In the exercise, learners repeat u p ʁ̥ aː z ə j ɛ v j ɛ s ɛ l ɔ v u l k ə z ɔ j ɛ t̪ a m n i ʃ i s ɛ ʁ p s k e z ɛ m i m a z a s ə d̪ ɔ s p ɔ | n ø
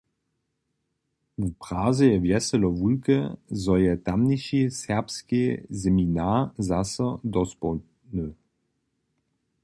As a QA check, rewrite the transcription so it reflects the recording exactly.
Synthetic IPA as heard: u p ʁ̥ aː z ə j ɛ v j ɛ s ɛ l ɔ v u l k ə z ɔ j ɛ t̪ a m n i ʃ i s ɛ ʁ p s k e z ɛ m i n a z a s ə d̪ ɔ s p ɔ | n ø

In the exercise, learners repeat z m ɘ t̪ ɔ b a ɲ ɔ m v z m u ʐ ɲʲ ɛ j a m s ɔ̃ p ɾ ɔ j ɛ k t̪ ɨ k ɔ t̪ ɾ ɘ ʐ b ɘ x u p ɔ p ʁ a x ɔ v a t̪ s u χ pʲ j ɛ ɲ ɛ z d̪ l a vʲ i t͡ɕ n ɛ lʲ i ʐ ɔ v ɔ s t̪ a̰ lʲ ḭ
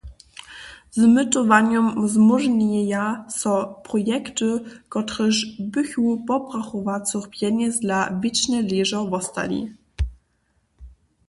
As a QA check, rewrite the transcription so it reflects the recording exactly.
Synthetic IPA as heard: z m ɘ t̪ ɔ v a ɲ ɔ m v z m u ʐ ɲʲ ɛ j a s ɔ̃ p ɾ ɔ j ɛ k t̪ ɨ k ɔ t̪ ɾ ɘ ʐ b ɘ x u p ɔ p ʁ a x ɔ v a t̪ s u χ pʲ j ɛ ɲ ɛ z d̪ l a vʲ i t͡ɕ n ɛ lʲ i ʐ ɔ v ɔ s t̪ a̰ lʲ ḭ

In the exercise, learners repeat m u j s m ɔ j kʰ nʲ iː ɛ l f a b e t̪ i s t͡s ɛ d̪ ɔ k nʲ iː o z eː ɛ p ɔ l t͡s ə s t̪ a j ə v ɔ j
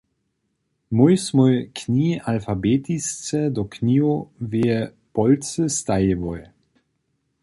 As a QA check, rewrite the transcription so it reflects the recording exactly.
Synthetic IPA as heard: m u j s m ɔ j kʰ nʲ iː a l f a b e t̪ i s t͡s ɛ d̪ ɔ k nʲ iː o v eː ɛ p ɔ l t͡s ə s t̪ a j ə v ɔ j

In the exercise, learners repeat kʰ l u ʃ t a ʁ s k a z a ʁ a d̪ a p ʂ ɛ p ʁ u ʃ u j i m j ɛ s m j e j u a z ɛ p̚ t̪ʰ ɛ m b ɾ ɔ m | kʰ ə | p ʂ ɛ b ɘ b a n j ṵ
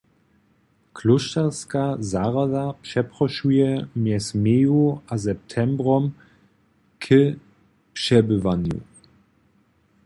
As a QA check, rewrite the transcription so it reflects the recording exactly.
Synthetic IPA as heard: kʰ l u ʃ t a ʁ s k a z a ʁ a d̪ a p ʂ ɛ p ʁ ɔ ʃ u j ɛ m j ɛ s m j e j u a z ɛ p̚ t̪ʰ ɛ m b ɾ ɔ m | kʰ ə | p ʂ ɛ b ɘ v a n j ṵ

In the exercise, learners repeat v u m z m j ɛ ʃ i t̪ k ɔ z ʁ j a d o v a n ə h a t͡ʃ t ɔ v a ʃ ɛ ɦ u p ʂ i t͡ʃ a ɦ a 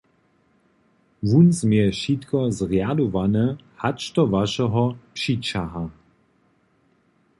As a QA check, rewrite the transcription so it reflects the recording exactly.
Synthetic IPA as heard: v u n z m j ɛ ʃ i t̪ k ɔ z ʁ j a d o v a n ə h a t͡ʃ t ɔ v a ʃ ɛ ɦ ɔ p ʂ i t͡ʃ a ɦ a

